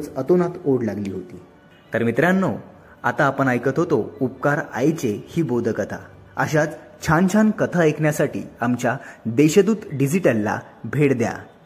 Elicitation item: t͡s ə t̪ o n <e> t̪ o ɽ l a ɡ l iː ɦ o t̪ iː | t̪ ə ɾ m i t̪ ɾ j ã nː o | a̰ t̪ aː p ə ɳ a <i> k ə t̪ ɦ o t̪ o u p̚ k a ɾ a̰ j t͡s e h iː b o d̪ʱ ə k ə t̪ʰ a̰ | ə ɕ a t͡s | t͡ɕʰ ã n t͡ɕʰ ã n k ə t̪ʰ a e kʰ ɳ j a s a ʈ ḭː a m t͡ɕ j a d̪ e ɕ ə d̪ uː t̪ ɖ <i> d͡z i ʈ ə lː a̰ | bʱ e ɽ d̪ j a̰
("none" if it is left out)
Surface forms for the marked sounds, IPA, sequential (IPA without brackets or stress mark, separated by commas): a, j, i